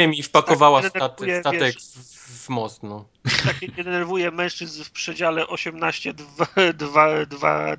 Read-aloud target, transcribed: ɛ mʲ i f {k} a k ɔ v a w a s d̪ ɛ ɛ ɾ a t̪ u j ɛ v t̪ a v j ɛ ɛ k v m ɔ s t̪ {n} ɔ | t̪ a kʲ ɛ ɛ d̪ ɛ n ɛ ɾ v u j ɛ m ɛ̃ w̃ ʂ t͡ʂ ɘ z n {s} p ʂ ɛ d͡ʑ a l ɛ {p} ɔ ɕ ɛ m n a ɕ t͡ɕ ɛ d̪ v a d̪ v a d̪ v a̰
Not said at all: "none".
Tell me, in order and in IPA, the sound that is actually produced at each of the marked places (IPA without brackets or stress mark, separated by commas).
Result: p, n, f, ʔ